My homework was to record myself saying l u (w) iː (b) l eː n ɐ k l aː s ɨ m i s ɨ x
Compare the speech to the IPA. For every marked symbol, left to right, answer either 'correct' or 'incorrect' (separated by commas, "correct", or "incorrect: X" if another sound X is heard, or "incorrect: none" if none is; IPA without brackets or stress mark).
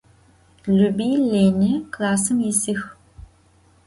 incorrect: b, incorrect: none